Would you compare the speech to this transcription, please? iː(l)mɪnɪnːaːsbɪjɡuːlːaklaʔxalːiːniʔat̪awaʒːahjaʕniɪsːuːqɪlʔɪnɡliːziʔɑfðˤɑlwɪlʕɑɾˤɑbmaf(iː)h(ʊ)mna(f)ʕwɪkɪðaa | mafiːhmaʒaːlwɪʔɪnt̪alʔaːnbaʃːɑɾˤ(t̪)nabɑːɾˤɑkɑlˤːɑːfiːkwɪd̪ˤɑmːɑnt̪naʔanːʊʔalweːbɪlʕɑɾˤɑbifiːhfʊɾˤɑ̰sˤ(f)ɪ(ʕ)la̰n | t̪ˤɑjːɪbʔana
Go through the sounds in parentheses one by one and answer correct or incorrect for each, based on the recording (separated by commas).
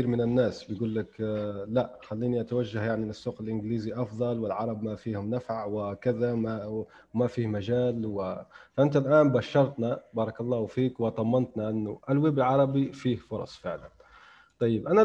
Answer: incorrect, correct, correct, correct, correct, correct, correct